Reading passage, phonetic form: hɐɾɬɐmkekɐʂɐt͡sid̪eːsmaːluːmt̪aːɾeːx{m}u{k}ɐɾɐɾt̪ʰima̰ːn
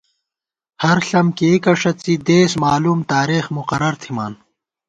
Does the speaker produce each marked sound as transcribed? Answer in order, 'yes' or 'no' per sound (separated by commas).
yes, no